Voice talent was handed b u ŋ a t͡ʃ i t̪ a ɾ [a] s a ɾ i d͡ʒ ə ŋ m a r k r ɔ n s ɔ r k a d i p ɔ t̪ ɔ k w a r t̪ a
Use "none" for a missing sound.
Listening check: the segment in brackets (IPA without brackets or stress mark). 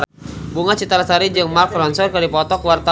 a